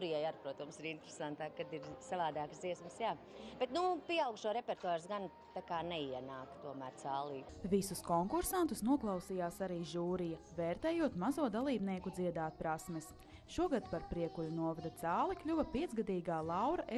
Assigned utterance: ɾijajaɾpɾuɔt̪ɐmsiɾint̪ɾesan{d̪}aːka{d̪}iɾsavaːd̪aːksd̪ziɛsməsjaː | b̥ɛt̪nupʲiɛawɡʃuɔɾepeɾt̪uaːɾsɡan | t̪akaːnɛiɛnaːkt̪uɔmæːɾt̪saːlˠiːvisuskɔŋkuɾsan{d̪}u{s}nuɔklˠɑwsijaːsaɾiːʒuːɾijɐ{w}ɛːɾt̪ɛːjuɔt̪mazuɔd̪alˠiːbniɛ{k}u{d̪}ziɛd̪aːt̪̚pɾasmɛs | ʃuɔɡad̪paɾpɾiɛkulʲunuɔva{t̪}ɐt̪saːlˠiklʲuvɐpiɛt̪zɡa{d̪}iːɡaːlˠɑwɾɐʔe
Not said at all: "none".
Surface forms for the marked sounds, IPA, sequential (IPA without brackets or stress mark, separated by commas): t̪, d̪, t̪, s, v, k, d̪, d̪, d̪